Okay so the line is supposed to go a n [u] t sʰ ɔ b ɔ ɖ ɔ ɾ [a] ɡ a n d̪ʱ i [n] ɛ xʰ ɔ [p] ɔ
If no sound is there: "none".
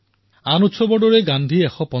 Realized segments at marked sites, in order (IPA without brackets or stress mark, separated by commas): u, e, none, p